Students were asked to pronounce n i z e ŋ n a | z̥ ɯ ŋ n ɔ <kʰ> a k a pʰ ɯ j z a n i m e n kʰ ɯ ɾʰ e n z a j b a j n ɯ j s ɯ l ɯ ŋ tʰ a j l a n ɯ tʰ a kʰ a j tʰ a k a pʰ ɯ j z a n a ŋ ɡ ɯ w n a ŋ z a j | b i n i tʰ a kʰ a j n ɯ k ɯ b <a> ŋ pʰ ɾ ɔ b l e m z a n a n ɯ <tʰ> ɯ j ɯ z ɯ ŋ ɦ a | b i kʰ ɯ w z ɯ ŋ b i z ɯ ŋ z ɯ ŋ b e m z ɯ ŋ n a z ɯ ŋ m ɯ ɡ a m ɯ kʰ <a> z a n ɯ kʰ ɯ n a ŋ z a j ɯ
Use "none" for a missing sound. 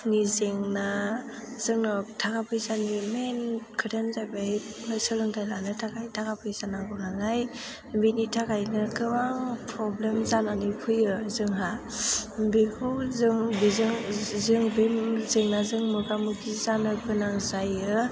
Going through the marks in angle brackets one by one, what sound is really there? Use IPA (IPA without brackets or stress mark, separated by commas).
tʰ, a, pʰ, i